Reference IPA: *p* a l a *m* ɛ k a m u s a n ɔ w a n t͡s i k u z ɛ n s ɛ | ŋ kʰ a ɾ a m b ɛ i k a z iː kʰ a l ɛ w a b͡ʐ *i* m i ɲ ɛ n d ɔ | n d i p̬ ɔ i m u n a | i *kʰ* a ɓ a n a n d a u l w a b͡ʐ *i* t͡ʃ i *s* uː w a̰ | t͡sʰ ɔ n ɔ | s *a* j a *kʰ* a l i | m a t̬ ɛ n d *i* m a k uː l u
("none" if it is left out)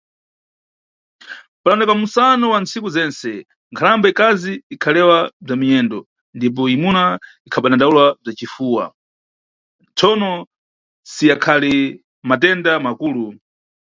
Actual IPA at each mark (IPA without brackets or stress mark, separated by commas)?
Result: p, n, a, kʰ, a, f, i, kʰ, a